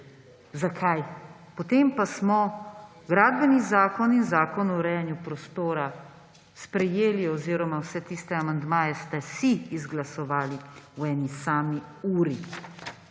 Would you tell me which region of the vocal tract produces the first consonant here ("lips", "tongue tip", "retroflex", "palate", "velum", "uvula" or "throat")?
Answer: tongue tip